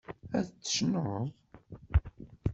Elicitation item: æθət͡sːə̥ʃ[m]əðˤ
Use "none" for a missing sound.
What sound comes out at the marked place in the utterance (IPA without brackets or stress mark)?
n